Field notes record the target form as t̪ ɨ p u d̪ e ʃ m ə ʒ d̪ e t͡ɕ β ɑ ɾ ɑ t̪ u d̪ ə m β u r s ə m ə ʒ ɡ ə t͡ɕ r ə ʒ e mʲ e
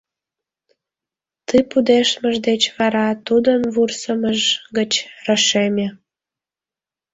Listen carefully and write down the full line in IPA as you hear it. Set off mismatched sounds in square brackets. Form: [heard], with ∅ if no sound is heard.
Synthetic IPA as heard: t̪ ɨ p u d̪ e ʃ m ə ʒ d̪ e t͡ɕ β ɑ ɾ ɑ t̪ u d̪ ə [n] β u r s ə m ə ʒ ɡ ə t͡ɕ r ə [ʃ] e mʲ e

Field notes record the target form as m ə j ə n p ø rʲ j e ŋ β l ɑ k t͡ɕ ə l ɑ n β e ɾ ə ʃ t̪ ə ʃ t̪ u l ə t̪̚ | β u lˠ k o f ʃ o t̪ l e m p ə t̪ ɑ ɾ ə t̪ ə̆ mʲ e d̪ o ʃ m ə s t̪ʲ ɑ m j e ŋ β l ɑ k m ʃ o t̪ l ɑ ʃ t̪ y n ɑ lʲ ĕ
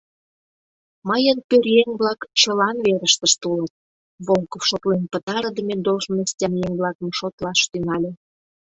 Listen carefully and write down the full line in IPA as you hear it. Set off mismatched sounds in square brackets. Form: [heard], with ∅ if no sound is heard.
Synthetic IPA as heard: m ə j ə n p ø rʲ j e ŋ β l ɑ k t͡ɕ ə l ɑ n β e ɾ ə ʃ t̪ ə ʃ t̪ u l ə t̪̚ | β [o] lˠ k o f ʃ o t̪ l e [n] p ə t̪ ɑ ɾ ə [d̪] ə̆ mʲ e d̪ o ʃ m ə s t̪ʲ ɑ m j e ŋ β l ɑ k m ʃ o t̪ l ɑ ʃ t̪ y n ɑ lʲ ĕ

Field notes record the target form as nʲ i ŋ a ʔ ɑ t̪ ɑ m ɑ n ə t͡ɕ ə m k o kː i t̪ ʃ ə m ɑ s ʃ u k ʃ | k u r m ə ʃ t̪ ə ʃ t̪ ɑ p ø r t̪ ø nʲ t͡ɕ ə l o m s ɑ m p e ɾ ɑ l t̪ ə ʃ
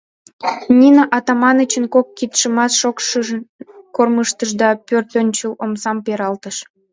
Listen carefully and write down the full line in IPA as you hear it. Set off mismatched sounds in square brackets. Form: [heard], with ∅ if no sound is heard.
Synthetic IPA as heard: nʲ i [n] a ʔ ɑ t̪ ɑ m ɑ n ə t͡ɕ ə [n] k o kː i t̪ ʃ ə m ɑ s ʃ [o] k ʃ | k [o] r m ə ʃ t̪ ə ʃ [d̪] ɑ p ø r t̪ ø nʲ t͡ɕ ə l o m s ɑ m p e ɾ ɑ l t̪ ə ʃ

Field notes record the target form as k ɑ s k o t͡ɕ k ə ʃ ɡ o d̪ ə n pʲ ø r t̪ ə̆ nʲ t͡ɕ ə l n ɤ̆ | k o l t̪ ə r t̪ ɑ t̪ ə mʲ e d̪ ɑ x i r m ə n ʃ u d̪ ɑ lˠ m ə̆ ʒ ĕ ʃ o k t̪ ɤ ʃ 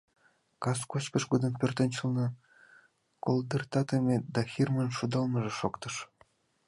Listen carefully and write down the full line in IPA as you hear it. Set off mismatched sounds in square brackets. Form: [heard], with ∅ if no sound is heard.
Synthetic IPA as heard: k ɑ s k o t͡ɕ k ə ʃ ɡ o d̪ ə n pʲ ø r t̪ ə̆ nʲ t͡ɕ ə l n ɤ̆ | k o l [d̪] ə r t̪ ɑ t̪ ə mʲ e d̪ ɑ x i r m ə n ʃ u d̪ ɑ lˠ m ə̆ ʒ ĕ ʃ o k t̪ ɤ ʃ

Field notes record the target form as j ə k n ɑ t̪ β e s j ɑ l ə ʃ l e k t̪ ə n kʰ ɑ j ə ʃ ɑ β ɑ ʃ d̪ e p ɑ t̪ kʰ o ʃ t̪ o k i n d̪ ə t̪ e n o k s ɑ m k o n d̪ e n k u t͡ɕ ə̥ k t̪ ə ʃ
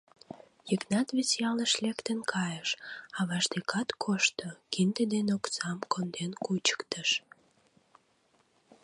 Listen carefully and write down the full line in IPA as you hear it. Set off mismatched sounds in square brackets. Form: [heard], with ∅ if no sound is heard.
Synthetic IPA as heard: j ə k n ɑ t̪ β e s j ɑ l ə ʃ l e k t̪ ə n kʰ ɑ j ə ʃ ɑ β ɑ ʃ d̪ e [k] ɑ t̪ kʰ o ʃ t̪ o k i n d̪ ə [d̪] e n o k s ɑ m k o n d̪ e n k u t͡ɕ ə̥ k t̪ ə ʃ

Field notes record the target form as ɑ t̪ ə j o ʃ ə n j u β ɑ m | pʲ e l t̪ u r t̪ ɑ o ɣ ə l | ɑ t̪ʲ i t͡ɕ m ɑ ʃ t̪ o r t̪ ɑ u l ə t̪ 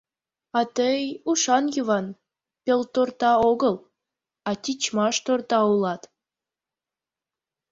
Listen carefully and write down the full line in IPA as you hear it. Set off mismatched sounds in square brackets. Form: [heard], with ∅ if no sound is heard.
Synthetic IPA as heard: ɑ t̪ ə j [u] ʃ [ɑ] n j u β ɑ [n] | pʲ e l t̪ [o] r t̪ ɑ o ɣ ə l | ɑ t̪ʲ i t͡ɕ m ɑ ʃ t̪ o r t̪ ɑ u l [ɑ] t̪

